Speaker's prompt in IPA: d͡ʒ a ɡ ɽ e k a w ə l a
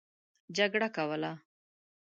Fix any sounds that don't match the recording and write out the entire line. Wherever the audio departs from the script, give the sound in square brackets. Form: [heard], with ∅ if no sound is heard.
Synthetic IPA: d͡ʒ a ɡ ɽ [a] k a w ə l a